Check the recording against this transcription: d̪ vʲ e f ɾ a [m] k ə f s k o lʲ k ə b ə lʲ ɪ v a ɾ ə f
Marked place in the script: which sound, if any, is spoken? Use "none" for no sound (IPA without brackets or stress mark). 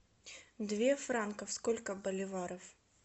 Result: n